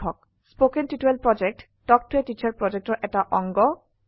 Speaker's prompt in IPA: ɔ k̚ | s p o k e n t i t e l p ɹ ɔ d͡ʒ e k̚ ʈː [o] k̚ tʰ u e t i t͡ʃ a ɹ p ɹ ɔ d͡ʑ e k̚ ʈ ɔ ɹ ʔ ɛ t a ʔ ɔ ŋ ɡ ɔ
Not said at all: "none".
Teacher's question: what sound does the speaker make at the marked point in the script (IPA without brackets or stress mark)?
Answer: ɔ